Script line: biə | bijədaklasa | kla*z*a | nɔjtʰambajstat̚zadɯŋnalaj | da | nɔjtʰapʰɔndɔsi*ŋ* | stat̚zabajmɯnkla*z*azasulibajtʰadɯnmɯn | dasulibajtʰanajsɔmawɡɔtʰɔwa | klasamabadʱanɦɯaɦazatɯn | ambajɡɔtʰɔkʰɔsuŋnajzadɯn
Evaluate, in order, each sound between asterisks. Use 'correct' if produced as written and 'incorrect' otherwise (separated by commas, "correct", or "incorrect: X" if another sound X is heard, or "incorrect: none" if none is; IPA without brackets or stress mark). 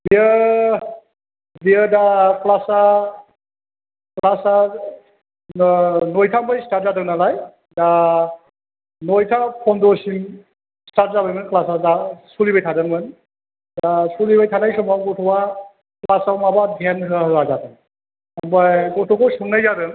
incorrect: s, incorrect: m, incorrect: s